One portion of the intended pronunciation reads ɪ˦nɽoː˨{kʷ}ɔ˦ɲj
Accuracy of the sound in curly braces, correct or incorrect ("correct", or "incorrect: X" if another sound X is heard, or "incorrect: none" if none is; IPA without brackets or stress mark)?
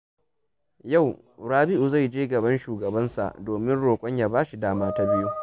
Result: incorrect: kʷʼ